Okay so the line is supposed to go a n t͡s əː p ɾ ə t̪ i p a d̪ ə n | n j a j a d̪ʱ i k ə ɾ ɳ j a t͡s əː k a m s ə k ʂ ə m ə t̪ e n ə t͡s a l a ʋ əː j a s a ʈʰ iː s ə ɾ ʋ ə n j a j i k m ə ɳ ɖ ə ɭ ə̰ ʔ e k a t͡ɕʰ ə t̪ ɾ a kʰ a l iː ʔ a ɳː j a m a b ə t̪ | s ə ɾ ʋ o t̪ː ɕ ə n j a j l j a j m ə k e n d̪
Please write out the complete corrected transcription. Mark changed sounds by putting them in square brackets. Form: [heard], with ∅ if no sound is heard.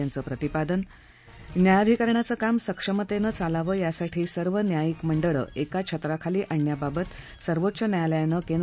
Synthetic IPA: a n t͡s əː p ɾ ə t̪ i p a d̪ ə n | n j a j a d̪ʱ i k ə ɾ ɳ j a t͡s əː k a m s ə k ʂ ə m ə t̪ e n ə t͡s a l a ʋ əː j a s a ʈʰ iː s ə ɾ ʋ ə n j a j i k m ə ɳ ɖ ə ɭ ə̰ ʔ e k a t͡ɕʰ ə t̪ ɾ a kʰ a l iː ʔ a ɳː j a [b] a b ə t̪ | s ə ɾ ʋ o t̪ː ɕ ə n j a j l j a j [n] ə k e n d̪